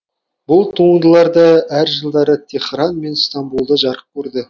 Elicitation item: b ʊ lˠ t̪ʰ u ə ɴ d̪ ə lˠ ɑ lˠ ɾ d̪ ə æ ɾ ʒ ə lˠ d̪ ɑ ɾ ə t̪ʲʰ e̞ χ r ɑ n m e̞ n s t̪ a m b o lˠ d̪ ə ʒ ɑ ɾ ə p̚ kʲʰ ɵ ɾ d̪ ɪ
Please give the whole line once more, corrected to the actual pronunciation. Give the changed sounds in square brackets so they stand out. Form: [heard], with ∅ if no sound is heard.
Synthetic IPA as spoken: b ʊ lˠ t̪ʰ u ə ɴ d̪ ə lˠ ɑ [∅] ɾ d̪ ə æ ɾ ʒ ə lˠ d̪ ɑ ɾ ə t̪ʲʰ e̞ χ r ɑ n m e̞ n s t̪ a m b [u] lˠ d̪ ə ʒ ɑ ɾ ə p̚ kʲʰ ɵ ɾ d̪ ɪ